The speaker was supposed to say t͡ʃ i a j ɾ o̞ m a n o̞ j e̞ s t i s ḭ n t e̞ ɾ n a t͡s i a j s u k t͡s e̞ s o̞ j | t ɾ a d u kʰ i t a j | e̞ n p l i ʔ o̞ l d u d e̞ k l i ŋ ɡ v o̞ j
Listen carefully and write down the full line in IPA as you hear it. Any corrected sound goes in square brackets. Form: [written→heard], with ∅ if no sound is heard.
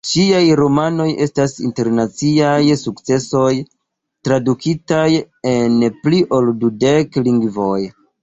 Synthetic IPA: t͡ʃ i a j ɾ o̞ m a n o̞ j e̞ s t [i→a] s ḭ n t e̞ ɾ n a t͡s i a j s u k t͡s e̞ s o̞ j | t ɾ a d u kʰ i t a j | e̞ n p l i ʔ o̞ l d u d e̞ k l i ŋ ɡ v o̞ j